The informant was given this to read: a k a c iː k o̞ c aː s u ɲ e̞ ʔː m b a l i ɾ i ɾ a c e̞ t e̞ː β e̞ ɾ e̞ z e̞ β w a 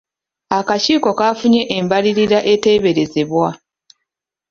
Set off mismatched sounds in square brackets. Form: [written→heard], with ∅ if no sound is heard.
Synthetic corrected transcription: a k a c iː k o̞ [c→k] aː [s→f] u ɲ e̞ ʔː m b a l i ɾ i ɾ a [c→ʔ] e̞ t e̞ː β e̞ ɾ e̞ z e̞ β w a